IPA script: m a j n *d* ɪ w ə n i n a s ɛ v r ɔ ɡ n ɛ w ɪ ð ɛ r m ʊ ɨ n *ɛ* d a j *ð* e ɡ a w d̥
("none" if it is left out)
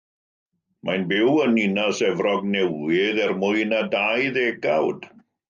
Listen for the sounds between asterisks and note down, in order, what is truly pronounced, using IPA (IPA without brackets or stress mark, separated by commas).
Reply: b, a, ð